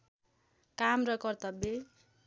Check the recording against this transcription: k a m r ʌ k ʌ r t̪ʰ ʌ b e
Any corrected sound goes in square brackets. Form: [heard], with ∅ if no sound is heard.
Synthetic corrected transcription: k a m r ʌ k ʌ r [t̪] ʌ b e